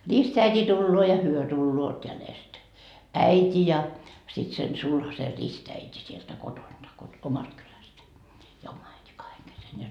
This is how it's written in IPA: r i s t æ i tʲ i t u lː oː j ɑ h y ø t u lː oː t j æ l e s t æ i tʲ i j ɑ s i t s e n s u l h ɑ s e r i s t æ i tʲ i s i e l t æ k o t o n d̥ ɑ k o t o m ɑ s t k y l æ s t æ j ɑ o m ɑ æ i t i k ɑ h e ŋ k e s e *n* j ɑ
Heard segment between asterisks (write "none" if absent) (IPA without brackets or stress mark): n